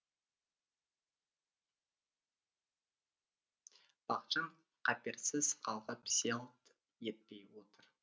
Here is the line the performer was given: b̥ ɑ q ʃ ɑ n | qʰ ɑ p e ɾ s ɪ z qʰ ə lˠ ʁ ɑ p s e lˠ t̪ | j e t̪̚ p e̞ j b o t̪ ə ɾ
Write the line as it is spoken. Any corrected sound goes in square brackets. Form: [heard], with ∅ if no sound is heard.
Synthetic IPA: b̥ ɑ q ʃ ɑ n | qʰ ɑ p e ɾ s ɪ z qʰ [ɑ] lˠ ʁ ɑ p s e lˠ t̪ | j e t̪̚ p e̞ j [w] o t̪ ə ɾ